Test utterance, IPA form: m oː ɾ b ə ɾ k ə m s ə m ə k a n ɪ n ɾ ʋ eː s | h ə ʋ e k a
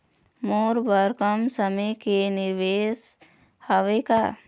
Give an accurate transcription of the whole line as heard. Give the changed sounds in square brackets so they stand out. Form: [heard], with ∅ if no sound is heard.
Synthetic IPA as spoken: m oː ɾ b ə ɾ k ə m s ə m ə k [e] n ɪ [∅] ɾ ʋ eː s | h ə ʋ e k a